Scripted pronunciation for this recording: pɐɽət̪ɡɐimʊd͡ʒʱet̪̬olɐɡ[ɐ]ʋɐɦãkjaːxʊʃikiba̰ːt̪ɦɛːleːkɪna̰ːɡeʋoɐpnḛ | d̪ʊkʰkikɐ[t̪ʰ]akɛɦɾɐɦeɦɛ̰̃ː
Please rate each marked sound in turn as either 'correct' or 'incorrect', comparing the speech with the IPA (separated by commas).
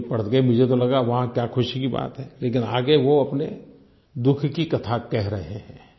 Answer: incorrect, correct